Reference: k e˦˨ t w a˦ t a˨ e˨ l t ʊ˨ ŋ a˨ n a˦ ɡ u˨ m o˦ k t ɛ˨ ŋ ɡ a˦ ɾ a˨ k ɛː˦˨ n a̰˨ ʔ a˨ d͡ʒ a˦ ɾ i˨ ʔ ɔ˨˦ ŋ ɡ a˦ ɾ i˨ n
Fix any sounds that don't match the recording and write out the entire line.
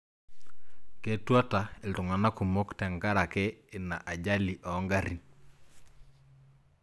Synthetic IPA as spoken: k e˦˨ t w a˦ t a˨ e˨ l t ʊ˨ ŋ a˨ n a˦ k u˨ m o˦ k t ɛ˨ ŋ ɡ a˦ ɾ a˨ k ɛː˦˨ n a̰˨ ʔ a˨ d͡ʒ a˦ l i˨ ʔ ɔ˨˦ ŋ ɡ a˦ ɾ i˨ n